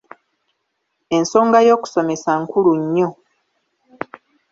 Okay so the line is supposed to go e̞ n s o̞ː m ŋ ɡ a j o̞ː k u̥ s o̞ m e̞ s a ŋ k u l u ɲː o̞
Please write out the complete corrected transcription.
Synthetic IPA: e̞ n s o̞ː ŋ ɡ a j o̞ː k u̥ s o̞ m e̞ s a ŋ k u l u ɲː o̞